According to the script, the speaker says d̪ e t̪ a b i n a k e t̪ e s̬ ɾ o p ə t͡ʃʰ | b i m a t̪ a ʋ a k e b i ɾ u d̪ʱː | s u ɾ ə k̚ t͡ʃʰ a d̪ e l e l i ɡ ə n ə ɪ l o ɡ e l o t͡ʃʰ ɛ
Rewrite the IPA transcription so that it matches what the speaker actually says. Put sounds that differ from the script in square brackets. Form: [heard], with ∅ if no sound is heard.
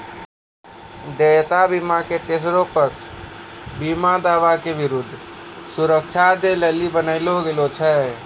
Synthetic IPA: d̪ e t̪ a b i [m] a k e t̪ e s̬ ɾ o p ə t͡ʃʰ | b i m a [d̪] a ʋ a k e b i ɾ u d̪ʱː | s u ɾ ə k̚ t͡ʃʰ a d̪ e l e l i [b] ə n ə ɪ l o ɡ e l o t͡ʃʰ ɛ